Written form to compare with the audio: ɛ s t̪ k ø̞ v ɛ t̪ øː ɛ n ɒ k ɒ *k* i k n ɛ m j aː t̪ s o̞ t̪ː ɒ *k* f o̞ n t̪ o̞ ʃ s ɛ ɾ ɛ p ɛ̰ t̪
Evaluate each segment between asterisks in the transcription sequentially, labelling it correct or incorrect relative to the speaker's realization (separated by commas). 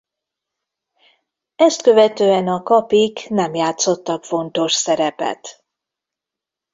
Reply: incorrect, correct